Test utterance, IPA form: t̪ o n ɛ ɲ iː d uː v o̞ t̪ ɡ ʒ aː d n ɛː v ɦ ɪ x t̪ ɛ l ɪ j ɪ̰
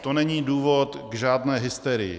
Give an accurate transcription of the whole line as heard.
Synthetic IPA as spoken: t̪ o n ɛ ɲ iː d uː v o̞ t̪ ɡ ʒ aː d n ɛː ɦ ɪ s t̪ ɛ ɾ ɪ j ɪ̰

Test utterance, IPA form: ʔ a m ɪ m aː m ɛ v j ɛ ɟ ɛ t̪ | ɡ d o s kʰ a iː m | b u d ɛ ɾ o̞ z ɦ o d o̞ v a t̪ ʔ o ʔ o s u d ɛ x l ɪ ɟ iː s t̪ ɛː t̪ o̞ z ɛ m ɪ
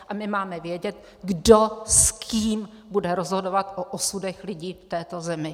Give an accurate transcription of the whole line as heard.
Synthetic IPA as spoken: ʔ a m ɪ m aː m ɛ v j ɛ ɟ ɛ t̪ | ɡ d o s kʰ i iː m | b u d ɛ ɾ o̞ z ɦ o d o̞ v a t̪ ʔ o ʔ o s u d ɛ x l ɪ ɟ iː f t̪ ɛː t̪ o̞ z ɛ m ɪ

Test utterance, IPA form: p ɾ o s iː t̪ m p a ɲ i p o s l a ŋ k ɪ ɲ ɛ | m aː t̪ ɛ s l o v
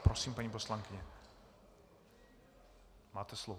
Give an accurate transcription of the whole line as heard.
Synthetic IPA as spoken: p ɾ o s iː m p a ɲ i p o s l a ŋ k ɪ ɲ ɛ | m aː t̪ ɛ s l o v

